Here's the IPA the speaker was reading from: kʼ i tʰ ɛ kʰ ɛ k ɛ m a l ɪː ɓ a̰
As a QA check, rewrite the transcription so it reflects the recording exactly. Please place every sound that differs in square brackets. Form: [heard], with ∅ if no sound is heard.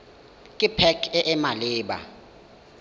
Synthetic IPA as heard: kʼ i [pʰ] ɛ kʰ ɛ [ʔ] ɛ m a l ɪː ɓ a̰